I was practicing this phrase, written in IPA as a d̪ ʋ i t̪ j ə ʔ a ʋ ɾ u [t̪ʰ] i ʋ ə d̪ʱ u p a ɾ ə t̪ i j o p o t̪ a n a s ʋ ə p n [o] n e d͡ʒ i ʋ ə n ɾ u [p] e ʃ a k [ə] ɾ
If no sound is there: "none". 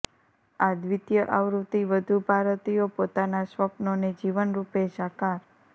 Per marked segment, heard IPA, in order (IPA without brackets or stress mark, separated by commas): t̪, o, p, a